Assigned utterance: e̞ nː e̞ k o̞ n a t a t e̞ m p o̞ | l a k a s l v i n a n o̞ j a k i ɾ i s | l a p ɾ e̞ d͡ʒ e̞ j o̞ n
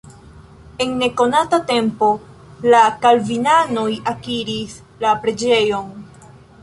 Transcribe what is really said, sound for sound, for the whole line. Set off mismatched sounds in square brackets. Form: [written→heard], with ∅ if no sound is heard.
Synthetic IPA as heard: e̞ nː e̞ k o̞ n a t a t e̞ m p o̞ | l a k a [s→∅] l v i n a n o̞ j a k i ɾ i s | l a p ɾ e̞ d͡ʒ e̞ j o̞ n